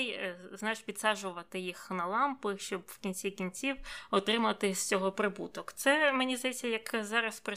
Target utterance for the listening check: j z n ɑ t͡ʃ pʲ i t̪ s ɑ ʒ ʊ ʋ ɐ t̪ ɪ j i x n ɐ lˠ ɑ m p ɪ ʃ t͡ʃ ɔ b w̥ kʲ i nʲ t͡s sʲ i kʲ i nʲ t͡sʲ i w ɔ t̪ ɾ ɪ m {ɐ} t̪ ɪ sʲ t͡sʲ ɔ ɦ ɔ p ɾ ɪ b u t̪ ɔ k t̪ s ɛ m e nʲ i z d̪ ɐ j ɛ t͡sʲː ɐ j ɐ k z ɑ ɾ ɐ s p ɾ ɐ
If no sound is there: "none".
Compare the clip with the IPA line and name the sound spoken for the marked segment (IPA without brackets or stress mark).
ɐ